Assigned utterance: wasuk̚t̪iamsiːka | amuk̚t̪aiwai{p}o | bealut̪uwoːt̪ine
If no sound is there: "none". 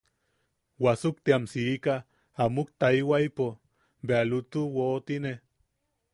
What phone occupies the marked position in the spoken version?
p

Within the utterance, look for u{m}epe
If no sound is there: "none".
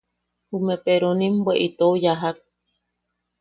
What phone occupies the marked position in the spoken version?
m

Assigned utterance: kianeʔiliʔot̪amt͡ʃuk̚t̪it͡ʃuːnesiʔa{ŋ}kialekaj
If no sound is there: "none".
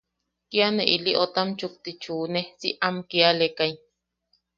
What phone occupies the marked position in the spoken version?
m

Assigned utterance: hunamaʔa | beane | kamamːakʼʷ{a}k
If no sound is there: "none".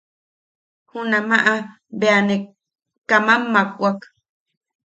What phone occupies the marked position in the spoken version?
a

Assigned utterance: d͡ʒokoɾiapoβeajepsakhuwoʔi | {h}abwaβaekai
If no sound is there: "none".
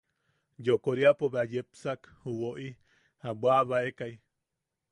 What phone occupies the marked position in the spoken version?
h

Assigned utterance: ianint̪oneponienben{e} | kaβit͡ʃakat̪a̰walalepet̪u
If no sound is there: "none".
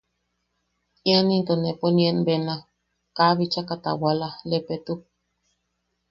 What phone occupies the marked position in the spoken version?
a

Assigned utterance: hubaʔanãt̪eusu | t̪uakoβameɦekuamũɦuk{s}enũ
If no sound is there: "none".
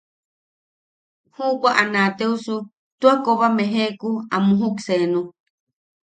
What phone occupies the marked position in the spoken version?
s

